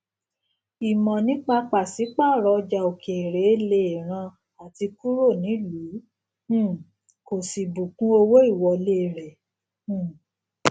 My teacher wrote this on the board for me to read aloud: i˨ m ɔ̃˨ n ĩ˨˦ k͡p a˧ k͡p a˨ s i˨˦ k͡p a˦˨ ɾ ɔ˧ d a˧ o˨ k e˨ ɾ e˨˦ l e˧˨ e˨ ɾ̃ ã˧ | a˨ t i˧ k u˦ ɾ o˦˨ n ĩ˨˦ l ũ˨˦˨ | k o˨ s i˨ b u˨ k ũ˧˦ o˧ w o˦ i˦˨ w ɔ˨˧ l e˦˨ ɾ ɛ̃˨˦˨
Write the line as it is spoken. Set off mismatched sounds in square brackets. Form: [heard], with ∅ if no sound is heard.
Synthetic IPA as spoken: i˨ m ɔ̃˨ n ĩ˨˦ k͡p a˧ k͡p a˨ s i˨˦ k͡p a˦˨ ɾ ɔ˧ [d͡ʒ] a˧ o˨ k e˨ ɾ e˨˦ l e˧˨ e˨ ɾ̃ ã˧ | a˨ t i˧ k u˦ ɾ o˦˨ n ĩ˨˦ l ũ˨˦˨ | k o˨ s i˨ b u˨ k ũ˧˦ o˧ w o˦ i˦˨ w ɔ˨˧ l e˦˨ ɾ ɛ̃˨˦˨